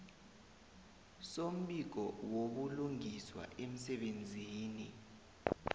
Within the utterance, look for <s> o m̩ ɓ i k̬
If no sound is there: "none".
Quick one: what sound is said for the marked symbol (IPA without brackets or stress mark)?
s